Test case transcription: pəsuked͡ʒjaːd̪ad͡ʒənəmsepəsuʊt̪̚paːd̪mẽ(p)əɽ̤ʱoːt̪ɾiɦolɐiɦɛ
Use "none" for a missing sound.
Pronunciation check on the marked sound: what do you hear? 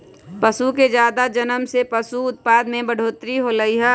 b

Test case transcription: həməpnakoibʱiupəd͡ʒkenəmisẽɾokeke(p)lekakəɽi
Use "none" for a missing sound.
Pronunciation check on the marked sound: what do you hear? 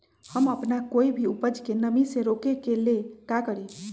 none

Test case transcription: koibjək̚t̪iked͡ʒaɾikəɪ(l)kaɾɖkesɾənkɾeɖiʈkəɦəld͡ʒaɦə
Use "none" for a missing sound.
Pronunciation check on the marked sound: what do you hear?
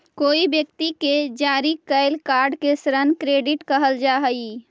l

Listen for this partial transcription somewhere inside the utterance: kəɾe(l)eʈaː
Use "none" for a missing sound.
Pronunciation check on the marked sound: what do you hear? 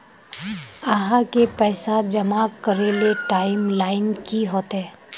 l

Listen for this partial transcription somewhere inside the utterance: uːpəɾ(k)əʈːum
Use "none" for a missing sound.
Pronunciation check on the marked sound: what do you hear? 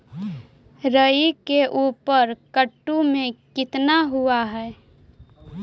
k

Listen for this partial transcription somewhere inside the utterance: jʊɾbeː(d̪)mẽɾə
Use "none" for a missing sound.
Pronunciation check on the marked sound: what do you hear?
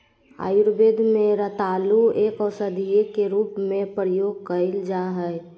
d̪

